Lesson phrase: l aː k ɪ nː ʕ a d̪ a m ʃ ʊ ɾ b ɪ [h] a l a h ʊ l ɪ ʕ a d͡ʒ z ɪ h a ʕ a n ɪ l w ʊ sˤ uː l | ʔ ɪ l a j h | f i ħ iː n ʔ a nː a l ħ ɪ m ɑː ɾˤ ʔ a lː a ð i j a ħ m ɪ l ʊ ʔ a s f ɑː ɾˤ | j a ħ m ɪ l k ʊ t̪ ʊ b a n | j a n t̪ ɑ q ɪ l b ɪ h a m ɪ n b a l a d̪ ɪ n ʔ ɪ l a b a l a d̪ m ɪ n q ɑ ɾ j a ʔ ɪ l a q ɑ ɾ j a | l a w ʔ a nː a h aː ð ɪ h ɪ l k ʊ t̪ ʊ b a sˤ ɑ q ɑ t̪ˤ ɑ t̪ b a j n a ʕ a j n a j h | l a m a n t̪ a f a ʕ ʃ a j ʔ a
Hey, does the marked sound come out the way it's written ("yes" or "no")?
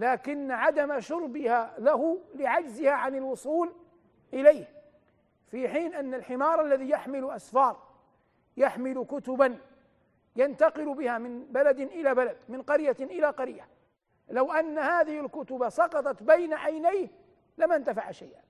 yes